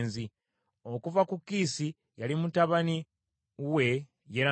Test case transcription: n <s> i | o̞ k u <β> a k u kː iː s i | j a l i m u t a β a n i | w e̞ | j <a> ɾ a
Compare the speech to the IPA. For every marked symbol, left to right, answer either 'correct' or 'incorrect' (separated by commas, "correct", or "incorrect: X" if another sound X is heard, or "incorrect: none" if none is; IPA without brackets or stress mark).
incorrect: z, incorrect: v, incorrect: e